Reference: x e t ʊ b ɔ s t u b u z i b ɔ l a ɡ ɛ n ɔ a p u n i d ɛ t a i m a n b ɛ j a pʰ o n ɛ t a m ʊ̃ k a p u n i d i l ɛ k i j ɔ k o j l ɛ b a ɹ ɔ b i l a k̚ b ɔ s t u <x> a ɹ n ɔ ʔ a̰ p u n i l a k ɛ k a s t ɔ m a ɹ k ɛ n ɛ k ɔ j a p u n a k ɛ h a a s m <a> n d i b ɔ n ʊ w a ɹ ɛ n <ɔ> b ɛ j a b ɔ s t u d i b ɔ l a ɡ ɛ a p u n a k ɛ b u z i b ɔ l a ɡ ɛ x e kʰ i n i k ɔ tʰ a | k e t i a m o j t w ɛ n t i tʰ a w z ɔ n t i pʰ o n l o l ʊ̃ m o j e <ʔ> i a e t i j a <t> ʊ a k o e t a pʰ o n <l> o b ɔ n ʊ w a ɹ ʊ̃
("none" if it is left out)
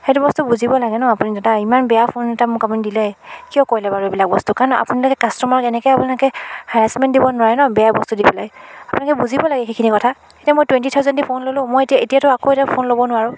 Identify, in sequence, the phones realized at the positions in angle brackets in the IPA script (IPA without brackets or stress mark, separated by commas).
k, ɛ, ɔ, t, t, l